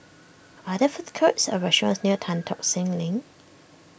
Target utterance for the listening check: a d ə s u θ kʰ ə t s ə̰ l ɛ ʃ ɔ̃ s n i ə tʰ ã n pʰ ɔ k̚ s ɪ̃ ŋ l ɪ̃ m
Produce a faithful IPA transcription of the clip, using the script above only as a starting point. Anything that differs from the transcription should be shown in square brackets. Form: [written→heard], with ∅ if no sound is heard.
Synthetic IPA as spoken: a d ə [s→f] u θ kʰ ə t s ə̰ [l→ɹ] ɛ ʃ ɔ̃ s n i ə tʰ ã n [pʰ→tʰ] ɔ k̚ s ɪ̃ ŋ l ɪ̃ [m→ŋ]